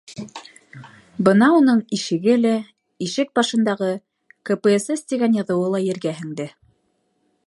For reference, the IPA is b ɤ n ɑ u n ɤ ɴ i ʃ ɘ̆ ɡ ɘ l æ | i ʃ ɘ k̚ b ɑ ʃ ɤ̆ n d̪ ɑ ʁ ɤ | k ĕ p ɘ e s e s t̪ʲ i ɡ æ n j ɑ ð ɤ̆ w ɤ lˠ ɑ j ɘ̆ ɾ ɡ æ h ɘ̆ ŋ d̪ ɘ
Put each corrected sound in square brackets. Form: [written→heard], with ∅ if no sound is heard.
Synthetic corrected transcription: b ɤ n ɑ u n ɤ ɴ i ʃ ɘ̆ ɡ ɘ l æ | i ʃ ɘ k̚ b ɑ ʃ ɤ̆ n d̪ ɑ ʁ ɤ | k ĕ p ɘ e s e s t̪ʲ i ɡ æ n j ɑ ð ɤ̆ w ɤ lˠ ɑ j ɘ̆ ɾ ɡ æ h ɘ̆ ŋ d̪ ɘ